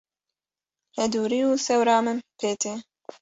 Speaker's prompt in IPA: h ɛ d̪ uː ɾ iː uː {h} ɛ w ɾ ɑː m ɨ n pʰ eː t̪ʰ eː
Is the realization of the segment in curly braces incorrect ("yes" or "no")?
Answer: yes